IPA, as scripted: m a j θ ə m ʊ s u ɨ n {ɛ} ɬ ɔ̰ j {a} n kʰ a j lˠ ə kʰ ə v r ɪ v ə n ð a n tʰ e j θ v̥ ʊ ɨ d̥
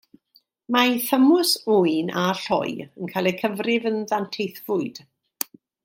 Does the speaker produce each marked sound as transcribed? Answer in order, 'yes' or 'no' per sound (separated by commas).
no, no